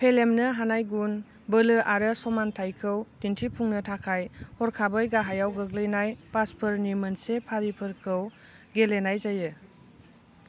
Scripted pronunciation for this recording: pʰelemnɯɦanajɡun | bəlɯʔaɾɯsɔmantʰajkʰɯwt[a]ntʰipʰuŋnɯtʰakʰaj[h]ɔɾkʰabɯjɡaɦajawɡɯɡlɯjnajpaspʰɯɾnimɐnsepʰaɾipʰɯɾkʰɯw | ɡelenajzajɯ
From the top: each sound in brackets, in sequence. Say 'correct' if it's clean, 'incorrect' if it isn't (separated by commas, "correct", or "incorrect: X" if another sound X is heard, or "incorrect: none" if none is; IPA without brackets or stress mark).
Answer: incorrect: i, correct